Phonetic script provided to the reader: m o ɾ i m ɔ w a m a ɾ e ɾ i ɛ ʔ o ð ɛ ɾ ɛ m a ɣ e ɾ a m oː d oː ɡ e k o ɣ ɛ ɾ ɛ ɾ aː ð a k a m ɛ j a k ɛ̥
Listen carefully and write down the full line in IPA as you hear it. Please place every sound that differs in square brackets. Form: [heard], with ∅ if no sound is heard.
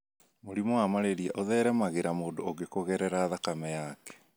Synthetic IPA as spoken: m o ɾ i m ɔ w a m a ɾ e ɾ i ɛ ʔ o ð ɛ ɾ ɛ m a ɣ e ɾ a m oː d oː ɡ e k o ɣ ɛ ɾ ɛ ɾ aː ð a k a m ɛ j a k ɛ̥